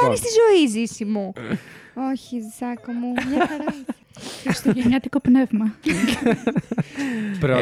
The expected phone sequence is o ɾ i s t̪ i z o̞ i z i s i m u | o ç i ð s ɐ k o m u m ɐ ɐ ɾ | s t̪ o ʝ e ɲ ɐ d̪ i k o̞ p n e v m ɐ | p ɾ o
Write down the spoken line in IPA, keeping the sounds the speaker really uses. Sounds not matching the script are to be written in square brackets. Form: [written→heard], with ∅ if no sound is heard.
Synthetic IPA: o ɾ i s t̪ i z o̞ i z i s i m u | o ç i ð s ɐ k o m u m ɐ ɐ ɾ | s t̪ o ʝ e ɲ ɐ [d̪→t̪] i k o̞ p n e v m ɐ | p ɾ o